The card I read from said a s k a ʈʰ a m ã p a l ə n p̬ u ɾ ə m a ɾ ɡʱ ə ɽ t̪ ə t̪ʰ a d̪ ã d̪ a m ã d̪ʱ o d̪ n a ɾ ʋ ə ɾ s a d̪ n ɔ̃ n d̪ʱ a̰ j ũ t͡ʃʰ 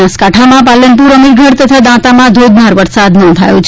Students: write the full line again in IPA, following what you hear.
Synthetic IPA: a s k a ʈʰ a m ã p a l ə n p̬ u ɾ ə m i ɾ ɡʱ ə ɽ t̪ ə t̪ʰ a d̪ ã t̪ a m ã d̪ʱ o d̪ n a ɾ ʋ ə ɾ s a d̪ n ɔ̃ n d̪ʱ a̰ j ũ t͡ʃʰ

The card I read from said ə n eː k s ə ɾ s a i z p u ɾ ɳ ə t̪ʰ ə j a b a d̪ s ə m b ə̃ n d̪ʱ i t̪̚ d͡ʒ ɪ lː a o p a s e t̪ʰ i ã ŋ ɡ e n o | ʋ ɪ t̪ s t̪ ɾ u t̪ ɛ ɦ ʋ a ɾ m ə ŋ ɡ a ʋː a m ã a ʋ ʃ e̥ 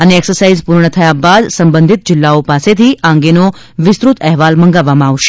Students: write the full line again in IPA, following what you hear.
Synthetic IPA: ə n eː k s ə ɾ s a i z p u ɾ ɳ ə t̪ʰ ə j a b a d̪ s ə m b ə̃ n d̪ʱ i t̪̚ d͡ʒ ɪ lː a o p a s e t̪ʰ i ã ŋ ɡ e n o | ʋ ɪ s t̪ ɾ u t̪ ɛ ɦ ʋ a l m ə ŋ ɡ a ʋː a m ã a ʋ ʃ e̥

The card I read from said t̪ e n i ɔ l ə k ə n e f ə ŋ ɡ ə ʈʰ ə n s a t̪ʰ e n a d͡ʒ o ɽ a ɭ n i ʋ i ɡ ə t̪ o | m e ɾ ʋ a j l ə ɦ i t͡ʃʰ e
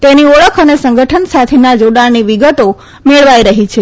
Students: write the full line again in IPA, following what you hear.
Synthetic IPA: t̪ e n i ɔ ɭ ə kʰ ə n e s ə ŋ ɡ ə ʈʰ ə n s a t̪ʰ e n a d͡ʒ o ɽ a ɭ n i ʋ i ɡ ə t̪ o | m e ɭ ʋ a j ɾ ə ɦ i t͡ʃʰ e

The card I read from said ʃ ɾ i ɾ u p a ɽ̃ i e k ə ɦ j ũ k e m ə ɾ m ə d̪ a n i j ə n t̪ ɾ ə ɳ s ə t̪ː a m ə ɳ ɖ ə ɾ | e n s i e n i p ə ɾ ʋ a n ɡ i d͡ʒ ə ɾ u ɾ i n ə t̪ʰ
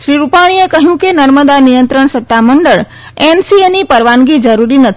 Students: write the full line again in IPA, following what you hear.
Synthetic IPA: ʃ ɾ i ɾ u p a ɽ̃ i e k ə ɦ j ũ k e n ə ɾ m ə d̪ a n i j ə n t̪ ɾ ə ɳ s ə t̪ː a m ə ɳ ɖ ə ɭ | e n s i e n i p ə ɾ ʋ a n ɡ i d͡ʒ ə ɾ u ɾ i n ə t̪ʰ

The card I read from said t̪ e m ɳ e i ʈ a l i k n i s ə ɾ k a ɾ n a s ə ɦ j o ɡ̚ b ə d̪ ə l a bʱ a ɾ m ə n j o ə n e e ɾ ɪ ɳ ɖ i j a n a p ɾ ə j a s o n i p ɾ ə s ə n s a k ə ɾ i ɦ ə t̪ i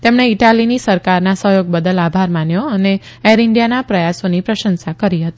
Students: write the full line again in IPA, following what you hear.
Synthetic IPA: t̪ e m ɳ e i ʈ a l i n i s ə ɾ k a ɾ n a s ə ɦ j o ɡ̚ b ə d̪ ə l a bʱ a ɾ m a n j o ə n e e ɾ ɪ ɳ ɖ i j a n a p ɾ ə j a s o n i p ɾ ə ʃ ə n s a k ə ɾ i ɦ ə t̪ i

